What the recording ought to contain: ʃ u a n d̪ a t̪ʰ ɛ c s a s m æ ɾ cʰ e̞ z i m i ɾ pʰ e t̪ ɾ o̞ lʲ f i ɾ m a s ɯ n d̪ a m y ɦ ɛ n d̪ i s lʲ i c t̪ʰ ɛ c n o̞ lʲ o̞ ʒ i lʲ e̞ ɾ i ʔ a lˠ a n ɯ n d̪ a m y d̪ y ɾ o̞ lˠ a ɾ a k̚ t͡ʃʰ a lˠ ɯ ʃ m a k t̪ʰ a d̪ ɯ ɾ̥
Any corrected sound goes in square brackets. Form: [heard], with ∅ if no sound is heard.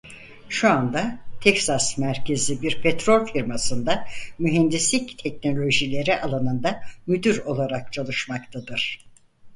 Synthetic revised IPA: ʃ u a n d̪ a t̪ʰ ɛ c s a s m æ ɾ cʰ e̞ z i [b] i ɾ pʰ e t̪ ɾ o̞ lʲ f i ɾ m a s ɯ n d̪ a m y ɦ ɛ n d̪ i s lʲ i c t̪ʰ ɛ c n o̞ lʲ o̞ ʒ i lʲ e̞ ɾ i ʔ a lˠ a n ɯ n d̪ a m y d̪ y ɾ o̞ lˠ a ɾ a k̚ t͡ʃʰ a lˠ ɯ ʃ m a k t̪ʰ a d̪ ɯ ɾ̥